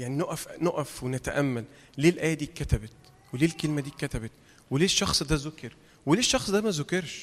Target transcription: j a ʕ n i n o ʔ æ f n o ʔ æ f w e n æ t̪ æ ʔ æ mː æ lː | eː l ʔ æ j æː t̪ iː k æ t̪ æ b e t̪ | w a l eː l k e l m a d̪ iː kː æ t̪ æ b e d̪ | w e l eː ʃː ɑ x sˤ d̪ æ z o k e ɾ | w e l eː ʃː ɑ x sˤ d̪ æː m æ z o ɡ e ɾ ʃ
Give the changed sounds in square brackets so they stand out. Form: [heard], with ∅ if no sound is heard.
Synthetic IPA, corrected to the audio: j a ʕ n i n o ʔ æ f n o ʔ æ f w e n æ t̪ æ ʔ æ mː æ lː | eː l ʔ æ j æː [d̪] iː k æ t̪ æ b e t̪ | w [e] l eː l k e l m [æ] d̪ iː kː æ t̪ æ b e [t̪] | w e l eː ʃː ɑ x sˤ d̪ æ z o k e ɾ | w e l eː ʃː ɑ x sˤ d̪ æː m æ z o [k] e ɾ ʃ